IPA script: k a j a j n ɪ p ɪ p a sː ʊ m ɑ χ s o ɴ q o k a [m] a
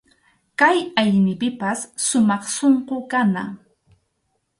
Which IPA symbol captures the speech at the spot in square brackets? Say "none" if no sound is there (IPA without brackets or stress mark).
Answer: n